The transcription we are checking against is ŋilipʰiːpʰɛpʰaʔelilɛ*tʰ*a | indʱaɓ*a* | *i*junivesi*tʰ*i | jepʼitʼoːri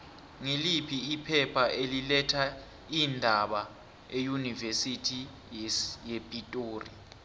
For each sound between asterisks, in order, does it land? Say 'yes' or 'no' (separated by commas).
yes, yes, no, yes